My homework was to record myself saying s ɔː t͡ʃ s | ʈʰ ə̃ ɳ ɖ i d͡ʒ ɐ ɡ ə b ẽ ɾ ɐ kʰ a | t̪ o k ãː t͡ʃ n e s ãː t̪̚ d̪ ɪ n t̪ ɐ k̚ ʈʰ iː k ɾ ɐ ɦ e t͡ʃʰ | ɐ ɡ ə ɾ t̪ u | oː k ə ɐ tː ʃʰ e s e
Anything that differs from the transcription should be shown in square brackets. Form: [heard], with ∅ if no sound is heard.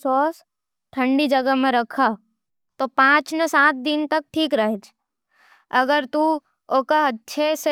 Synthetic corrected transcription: s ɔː [∅] s | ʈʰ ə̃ ɳ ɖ i d͡ʒ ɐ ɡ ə [m] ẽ ɾ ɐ kʰ a | t̪ o [p] ãː t͡ʃ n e s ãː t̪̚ d̪ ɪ n t̪ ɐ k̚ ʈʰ iː k ɾ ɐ ɦ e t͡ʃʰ | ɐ ɡ ə ɾ t̪ u | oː k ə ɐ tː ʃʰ e s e